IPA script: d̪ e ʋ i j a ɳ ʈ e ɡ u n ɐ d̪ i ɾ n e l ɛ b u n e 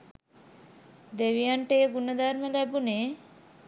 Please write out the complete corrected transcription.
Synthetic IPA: d̪ e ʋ i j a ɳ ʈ e ɡ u n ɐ d̪ a ɾ m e l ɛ b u n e